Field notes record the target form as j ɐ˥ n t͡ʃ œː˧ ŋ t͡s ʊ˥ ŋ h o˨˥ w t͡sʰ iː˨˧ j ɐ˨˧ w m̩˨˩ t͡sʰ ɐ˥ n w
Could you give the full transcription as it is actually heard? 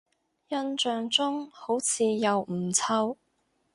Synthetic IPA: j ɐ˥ n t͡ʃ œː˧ ŋ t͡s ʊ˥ ŋ h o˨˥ w t͡sʰ iː˨˧ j ɐ˨˧ w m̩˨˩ t͡sʰ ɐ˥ w